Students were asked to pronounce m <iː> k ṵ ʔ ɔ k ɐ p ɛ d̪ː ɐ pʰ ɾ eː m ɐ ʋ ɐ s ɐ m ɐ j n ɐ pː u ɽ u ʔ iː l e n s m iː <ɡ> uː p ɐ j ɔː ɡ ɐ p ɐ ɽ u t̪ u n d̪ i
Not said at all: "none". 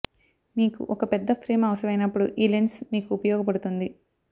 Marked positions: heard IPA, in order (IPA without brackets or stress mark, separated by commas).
iː, k